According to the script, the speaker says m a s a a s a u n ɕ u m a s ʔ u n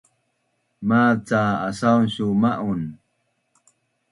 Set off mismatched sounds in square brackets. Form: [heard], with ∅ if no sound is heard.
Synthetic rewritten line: m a [t͡s] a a s a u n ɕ u m a [∅] ʔ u n

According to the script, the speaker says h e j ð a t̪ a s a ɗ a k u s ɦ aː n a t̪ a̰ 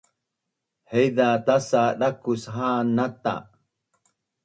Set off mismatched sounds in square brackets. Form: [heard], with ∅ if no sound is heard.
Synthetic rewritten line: h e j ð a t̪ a s a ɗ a k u s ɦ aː n a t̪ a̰

